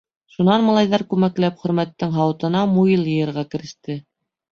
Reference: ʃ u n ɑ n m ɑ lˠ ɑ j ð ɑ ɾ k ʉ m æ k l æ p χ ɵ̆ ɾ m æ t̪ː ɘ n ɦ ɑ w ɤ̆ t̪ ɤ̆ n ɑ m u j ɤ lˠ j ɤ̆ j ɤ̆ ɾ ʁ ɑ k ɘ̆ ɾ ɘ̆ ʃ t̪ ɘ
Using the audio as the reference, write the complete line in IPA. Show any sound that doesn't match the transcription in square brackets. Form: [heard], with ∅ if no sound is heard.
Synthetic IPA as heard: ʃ u n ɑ n m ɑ lˠ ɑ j ð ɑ ɾ k ʉ m æ k l æ p χ ɵ̆ ɾ m æ t̪ː ɘ [ŋ] ɦ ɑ w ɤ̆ t̪ ɤ̆ n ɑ m u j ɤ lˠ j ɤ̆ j ɤ̆ ɾ ʁ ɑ k ɘ̆ ɾ ɘ̆ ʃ t̪ ɘ